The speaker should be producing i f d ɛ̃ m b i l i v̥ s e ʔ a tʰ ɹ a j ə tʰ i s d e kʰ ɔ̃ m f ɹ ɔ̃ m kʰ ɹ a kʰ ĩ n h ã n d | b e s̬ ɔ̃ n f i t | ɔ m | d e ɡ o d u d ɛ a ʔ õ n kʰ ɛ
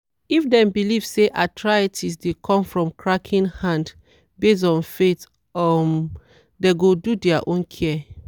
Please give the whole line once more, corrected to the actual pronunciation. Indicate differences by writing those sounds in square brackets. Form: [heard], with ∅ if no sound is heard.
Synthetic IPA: i f d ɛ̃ m b i l i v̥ s e ʔ a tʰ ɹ a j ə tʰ i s d e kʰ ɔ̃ m f ɹ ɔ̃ m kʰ ɹ a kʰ ĩ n h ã n d | b e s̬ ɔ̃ n f [e] t | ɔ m | d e ɡ o d u d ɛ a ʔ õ n kʰ ɛ